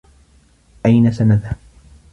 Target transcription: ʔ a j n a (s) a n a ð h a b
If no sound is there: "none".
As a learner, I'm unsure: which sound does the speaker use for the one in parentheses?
s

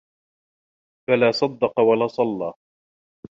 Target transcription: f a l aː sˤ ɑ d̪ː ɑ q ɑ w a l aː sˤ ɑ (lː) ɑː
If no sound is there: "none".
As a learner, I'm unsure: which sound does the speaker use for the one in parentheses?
lː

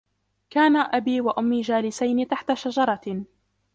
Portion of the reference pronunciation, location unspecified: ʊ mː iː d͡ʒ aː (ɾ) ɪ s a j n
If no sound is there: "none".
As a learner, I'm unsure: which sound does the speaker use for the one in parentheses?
l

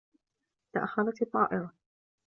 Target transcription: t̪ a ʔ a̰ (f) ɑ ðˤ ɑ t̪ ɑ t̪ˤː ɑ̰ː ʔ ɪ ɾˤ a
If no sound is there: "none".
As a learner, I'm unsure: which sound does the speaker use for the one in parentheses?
x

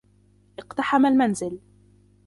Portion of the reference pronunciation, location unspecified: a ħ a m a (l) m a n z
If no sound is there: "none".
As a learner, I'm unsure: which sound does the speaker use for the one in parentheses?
l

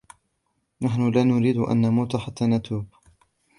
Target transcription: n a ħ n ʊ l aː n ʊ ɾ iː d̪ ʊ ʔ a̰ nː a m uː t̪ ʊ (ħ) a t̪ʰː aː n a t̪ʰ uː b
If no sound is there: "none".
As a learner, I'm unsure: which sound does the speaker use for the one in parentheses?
ħ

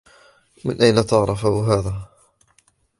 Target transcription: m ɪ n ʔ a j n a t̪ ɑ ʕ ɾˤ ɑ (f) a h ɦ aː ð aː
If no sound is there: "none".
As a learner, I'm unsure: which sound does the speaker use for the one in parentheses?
f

